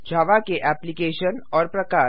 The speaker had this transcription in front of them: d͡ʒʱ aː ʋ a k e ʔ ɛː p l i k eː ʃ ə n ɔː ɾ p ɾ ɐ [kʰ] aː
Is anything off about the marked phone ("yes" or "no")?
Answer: yes